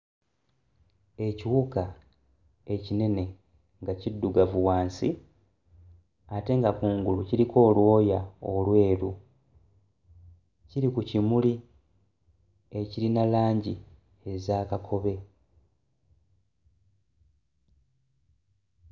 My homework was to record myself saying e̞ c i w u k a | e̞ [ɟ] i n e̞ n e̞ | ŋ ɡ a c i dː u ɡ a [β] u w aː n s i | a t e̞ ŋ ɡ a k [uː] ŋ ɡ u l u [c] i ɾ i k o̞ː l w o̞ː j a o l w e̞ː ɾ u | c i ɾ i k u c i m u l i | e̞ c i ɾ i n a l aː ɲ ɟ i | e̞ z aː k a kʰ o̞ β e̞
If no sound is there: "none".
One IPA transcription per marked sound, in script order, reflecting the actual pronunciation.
c, v, uː, c

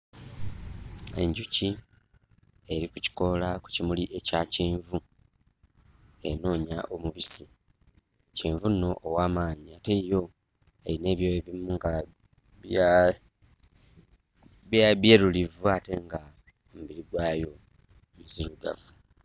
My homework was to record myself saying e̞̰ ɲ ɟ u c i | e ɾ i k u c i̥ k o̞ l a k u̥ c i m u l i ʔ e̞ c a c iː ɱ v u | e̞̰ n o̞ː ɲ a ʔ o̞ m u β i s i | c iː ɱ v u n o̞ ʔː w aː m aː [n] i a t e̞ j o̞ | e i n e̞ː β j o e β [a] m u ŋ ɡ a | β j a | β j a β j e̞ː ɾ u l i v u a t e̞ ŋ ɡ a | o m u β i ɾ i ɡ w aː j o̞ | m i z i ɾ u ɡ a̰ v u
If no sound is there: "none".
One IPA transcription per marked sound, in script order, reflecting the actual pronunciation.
ɲ, i

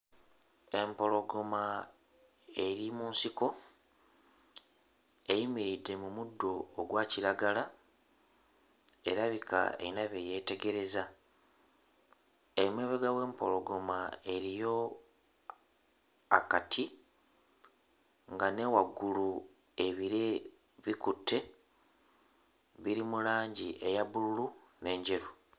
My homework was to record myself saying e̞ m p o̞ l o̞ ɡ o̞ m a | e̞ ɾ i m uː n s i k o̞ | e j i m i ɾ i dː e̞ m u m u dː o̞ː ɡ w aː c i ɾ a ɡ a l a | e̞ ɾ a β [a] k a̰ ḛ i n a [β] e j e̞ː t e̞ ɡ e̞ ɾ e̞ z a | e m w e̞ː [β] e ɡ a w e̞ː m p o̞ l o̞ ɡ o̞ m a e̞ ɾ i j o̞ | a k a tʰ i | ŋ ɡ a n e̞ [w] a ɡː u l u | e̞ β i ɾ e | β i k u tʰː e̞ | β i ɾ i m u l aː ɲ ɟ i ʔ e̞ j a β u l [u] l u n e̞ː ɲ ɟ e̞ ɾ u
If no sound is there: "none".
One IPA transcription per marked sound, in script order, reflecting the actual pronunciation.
i, β, β, w, u

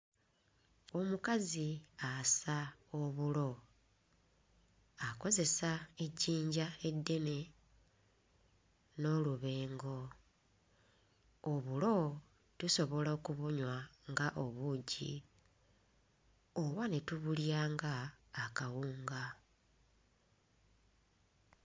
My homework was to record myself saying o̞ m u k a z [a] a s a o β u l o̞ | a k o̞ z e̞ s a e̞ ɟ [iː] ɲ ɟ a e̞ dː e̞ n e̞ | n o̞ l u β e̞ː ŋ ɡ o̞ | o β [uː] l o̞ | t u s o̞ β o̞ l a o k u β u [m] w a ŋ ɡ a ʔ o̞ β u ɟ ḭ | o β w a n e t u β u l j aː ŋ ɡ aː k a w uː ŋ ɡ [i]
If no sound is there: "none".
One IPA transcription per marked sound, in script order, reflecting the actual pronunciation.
i, iː, u, ɲ, a

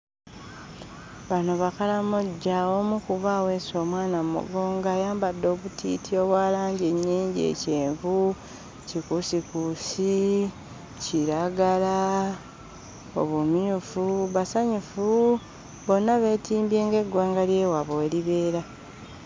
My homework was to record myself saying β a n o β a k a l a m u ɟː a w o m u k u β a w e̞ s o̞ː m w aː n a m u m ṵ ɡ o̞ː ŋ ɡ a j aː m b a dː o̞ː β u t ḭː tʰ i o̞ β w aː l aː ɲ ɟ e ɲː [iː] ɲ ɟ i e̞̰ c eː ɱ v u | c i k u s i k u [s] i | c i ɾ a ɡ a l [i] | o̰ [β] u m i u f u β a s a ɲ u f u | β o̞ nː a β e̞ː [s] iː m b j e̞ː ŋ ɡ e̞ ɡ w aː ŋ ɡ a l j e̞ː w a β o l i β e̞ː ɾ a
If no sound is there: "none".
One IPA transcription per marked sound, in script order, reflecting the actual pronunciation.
iː, s, a, β, t

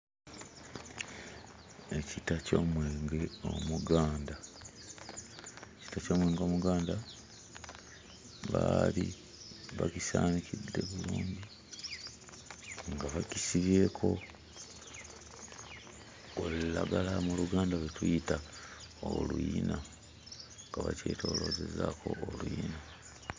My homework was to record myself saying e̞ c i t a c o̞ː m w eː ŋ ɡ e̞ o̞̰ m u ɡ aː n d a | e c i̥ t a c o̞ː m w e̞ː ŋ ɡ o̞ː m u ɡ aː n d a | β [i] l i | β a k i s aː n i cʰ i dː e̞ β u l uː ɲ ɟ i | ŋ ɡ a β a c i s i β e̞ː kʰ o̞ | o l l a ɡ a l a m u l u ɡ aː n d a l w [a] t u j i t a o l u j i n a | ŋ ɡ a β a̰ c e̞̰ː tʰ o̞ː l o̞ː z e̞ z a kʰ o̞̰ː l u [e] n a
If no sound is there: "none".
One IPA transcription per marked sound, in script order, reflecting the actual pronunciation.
a, e, i

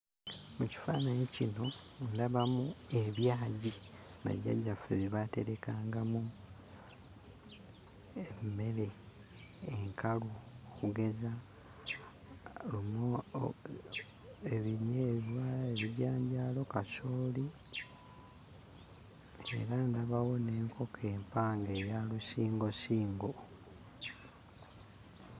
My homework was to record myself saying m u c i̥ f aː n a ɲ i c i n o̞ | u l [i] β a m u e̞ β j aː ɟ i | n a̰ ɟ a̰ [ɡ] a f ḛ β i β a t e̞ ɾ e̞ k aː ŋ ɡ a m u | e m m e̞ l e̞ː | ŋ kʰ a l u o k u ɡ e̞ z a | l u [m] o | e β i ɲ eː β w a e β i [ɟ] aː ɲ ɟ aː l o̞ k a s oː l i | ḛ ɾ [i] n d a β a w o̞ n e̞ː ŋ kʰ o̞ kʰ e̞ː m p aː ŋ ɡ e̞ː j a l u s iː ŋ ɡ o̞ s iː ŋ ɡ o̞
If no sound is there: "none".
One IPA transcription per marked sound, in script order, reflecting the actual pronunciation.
a, ɟ, m, ɟ, a

